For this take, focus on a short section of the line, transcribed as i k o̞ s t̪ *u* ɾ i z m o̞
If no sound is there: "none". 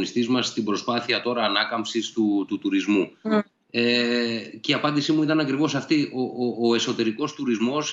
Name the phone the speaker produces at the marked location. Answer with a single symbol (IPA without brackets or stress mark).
u